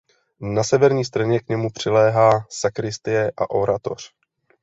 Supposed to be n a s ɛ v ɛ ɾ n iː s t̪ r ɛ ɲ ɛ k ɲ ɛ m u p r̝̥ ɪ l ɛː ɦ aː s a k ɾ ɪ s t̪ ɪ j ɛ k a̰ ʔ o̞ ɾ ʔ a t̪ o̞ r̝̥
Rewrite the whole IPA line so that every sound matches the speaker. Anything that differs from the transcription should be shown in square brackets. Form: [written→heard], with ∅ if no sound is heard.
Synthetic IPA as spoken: n a s ɛ v ɛ ɾ [n→ɲ] iː s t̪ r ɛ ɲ ɛ k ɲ ɛ m u p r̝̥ ɪ l ɛː ɦ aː s a k ɾ ɪ s t̪ ɪ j ɛ [k→ʔ] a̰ ʔ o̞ ɾ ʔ a t̪ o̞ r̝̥